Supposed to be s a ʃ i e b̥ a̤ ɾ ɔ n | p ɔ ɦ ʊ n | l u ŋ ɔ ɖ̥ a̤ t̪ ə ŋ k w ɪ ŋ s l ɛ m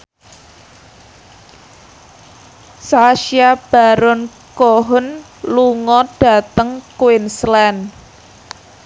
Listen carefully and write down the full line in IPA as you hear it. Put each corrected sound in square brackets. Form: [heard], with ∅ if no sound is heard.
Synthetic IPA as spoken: s a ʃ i [a] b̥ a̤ ɾ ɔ n | [k] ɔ ɦ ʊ n | l u ŋ ɔ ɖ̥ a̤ t̪ ə ŋ k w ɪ [n] s l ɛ [n]